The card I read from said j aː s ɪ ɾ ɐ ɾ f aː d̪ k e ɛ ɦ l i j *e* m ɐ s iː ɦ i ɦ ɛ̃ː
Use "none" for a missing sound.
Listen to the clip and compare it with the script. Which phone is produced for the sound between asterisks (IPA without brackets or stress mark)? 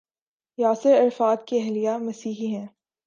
a